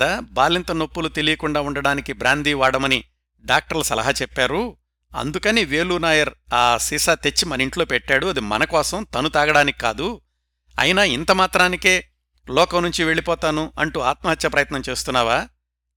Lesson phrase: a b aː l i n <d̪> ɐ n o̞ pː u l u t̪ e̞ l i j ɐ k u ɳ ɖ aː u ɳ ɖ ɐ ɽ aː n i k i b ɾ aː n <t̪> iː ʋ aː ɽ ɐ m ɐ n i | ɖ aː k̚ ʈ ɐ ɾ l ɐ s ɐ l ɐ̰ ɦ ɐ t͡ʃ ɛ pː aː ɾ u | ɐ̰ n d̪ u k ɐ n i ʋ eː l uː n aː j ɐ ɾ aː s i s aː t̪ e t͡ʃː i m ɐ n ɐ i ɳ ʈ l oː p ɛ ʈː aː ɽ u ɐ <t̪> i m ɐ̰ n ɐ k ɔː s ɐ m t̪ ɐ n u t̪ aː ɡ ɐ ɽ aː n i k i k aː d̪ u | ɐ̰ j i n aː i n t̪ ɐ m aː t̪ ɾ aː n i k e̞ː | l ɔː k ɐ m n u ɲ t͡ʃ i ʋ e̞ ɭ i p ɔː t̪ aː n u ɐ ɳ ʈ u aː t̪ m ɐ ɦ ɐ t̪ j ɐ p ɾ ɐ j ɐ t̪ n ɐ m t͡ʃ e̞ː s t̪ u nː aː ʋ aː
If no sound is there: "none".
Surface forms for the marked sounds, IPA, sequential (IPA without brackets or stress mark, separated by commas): t̪, d̪, d̪